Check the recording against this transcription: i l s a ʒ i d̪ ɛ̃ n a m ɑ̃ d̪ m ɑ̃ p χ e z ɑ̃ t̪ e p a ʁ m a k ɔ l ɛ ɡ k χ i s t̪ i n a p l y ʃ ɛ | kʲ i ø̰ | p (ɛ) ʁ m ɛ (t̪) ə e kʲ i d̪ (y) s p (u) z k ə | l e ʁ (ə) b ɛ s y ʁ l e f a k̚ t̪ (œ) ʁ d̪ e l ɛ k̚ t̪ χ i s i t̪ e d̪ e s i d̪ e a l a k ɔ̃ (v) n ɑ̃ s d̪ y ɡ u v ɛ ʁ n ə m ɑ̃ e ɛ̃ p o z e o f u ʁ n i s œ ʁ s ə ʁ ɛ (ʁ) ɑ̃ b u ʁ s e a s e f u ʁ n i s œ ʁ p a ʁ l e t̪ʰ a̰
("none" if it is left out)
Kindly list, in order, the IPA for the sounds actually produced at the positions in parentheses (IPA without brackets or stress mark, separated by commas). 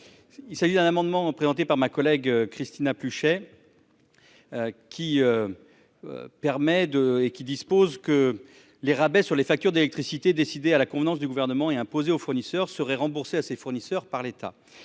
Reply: ɛ, d̪, i, o, a, y, v, ʁ